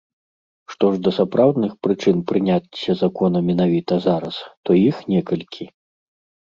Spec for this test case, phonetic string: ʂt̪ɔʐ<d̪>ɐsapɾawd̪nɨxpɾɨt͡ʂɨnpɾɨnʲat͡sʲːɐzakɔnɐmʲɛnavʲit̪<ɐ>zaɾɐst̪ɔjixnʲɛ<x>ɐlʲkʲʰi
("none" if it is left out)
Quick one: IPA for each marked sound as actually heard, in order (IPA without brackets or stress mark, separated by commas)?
d̪, ɐ, k